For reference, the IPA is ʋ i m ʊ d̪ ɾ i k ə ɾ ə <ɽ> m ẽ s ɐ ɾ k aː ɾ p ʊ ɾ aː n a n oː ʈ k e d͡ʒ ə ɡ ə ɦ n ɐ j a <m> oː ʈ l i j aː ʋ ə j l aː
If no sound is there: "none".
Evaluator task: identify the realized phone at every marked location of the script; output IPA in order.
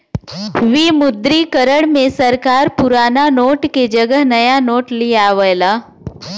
ɽ, n

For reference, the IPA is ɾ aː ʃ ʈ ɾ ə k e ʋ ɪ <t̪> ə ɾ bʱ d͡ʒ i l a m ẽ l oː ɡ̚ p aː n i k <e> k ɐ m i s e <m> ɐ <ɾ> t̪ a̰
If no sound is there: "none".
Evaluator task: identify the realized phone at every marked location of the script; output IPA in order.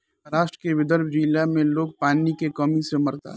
d̪, e, m, ɾ

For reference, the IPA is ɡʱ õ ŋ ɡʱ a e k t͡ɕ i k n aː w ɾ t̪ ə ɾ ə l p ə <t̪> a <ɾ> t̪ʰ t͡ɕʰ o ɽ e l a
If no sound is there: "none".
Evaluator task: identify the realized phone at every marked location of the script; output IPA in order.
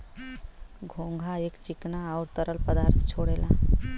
d̪, ɾ

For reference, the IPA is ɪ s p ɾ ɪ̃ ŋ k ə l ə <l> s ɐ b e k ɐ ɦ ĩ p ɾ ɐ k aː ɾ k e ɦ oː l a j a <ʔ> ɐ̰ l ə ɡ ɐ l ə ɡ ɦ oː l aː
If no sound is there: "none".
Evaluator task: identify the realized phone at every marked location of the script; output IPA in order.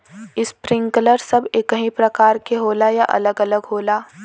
ɾ, ʔ

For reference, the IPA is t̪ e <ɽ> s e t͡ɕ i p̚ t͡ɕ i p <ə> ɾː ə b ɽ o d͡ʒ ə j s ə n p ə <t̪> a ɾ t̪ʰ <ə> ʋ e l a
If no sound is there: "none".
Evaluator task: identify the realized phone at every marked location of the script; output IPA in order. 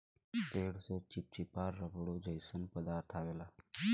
ɽ, a, d̪, a

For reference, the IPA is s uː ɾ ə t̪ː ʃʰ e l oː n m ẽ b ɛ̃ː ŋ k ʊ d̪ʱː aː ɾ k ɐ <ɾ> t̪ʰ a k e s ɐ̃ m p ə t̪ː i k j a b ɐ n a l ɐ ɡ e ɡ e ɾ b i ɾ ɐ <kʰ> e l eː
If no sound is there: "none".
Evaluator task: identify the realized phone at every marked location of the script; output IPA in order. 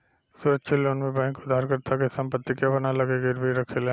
ɾ, kʰ

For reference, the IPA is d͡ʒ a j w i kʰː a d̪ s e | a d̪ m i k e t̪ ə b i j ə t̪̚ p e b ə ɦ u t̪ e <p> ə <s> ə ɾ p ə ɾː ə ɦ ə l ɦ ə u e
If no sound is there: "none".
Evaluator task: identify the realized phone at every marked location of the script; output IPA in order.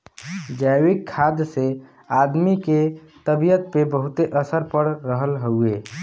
ʔ, s

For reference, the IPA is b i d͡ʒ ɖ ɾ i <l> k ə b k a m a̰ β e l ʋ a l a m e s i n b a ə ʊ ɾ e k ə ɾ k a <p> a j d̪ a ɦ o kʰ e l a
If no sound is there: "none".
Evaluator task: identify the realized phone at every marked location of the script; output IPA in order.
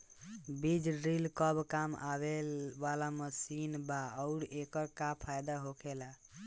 l, pʰ

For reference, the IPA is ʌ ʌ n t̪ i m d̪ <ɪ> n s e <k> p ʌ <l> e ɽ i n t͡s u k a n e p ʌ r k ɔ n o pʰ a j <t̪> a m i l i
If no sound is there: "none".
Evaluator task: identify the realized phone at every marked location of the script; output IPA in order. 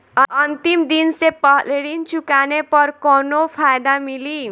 i, none, l, d̪

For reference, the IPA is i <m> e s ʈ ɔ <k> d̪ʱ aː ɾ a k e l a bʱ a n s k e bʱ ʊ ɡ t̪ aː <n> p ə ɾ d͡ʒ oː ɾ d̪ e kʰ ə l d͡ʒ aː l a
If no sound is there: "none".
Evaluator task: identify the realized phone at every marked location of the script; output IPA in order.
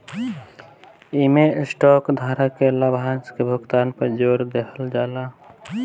m, k, n

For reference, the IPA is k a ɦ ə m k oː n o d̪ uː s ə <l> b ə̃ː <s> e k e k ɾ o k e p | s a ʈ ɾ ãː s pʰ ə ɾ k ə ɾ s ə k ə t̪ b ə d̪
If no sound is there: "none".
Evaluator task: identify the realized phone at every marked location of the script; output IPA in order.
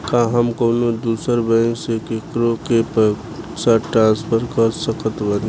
ɾ, s

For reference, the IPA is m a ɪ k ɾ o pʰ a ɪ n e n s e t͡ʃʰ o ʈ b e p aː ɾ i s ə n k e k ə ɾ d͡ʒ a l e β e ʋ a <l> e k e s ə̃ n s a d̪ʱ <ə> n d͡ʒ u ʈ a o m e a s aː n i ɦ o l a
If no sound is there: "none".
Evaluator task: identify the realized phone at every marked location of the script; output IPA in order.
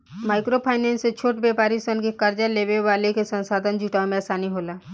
l, ə

